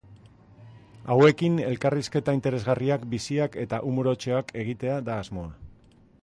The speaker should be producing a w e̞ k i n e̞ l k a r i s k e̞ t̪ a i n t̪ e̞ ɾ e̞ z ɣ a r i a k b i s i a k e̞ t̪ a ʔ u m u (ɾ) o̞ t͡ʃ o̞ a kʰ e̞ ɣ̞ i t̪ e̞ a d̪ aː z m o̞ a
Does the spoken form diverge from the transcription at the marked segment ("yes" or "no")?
no